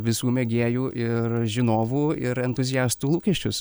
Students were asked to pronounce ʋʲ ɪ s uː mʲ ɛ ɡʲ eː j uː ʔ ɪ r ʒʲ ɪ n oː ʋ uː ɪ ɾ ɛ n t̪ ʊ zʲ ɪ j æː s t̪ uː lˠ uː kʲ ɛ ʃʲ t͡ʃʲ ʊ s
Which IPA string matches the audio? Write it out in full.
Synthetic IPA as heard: ʋʲ ɪ s uː mʲ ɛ ɡʲ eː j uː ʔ ɪ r ʒʲ ɪ n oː ʋ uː ɪ ɾ ɛ n t̪ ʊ zʲ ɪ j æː s t̪ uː lˠ uː kʲ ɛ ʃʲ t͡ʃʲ ʊ s